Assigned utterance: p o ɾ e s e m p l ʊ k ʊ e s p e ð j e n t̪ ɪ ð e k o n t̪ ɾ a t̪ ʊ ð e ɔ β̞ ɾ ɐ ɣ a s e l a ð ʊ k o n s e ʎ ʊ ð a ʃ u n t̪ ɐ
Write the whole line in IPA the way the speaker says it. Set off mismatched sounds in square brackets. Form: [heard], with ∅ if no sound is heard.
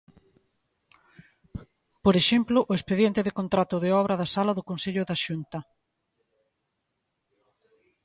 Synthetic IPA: p o ɾ e [ʃ] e m p l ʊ [ʔ] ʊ e s p e ð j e n t̪ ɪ ð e k o n t̪ ɾ a t̪ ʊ ð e ɔ β̞ ɾ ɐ [ð] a s [a] l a ð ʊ k o n s e ʎ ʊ ð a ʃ u n t̪ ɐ